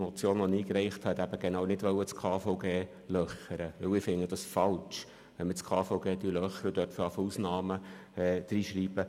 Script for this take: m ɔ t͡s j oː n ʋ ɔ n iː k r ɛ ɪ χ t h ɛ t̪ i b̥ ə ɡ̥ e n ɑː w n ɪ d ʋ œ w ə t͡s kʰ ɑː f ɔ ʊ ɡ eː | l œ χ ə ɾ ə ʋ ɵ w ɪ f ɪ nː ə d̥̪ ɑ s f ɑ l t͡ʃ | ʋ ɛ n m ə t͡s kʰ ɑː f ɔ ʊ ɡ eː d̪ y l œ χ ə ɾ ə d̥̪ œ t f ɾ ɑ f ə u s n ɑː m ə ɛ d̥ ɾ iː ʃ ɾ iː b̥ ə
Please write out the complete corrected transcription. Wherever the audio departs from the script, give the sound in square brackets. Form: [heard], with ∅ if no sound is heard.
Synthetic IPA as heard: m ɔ t͡s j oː n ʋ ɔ n iː k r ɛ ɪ χ t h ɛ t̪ [æ] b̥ ə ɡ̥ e n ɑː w n ɪ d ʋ œ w ə t͡s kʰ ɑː f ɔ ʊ ɡ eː | l œ χ ə ɾ ə ʋ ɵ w ɪ f ɪ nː ə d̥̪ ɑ s f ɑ l t͡ʃ | ʋ ɛ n m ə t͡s kʰ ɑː f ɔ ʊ ɡ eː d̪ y l œ χ ə ɾ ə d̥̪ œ t f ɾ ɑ f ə u s n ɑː m ə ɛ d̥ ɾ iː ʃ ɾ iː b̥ ə